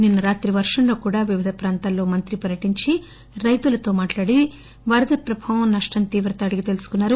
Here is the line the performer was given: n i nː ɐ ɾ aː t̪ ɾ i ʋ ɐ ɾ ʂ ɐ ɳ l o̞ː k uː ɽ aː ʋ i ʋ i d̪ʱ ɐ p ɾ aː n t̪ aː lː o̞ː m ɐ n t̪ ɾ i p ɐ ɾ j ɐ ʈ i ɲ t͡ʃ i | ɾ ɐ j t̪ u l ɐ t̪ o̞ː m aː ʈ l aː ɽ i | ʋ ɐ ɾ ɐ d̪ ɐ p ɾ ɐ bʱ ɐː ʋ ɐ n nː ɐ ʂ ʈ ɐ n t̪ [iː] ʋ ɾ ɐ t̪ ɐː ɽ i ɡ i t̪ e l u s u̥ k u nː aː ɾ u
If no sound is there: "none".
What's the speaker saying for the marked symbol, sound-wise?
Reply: iː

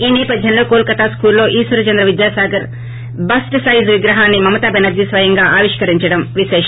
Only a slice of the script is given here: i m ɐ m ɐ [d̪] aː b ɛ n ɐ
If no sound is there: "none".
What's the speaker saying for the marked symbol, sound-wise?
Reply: t̪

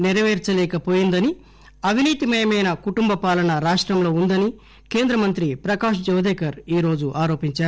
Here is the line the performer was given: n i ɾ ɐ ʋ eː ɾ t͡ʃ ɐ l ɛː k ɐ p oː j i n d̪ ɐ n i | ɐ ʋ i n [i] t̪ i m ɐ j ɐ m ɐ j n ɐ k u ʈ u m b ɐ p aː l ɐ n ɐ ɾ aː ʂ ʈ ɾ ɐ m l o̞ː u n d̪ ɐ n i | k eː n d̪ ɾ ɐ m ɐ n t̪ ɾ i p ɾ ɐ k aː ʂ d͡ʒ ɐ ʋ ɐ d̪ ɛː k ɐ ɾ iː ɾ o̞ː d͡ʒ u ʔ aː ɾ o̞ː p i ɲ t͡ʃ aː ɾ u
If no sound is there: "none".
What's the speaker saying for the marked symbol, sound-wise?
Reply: iː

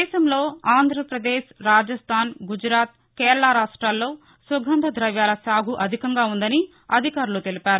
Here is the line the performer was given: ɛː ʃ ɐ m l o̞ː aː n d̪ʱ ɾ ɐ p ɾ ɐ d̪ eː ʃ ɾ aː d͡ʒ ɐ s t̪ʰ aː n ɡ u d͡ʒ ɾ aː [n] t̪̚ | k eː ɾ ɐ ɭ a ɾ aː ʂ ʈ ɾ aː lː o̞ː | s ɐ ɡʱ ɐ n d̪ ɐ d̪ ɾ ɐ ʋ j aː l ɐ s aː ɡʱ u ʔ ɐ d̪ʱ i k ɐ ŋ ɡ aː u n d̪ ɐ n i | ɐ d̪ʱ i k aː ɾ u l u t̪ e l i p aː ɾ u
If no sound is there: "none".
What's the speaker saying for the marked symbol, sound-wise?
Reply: none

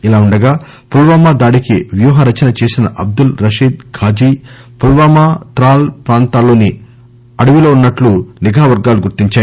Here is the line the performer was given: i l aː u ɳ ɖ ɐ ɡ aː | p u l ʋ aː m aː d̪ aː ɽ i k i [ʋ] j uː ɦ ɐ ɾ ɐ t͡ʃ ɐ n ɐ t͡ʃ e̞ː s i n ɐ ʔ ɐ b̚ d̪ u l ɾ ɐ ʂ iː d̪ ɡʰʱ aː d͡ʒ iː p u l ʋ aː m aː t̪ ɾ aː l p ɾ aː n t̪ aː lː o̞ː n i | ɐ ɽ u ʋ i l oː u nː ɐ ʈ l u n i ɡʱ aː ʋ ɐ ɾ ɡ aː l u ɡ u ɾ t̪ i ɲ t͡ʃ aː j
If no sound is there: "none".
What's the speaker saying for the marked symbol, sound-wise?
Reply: ʋ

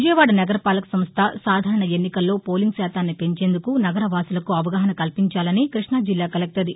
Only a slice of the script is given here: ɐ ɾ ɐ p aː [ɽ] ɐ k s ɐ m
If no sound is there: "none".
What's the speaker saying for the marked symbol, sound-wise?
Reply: l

